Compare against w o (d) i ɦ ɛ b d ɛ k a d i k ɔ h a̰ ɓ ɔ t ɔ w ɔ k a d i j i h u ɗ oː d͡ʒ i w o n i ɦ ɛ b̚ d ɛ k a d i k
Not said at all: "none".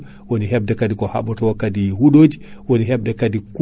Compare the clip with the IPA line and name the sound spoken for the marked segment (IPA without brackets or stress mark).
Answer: n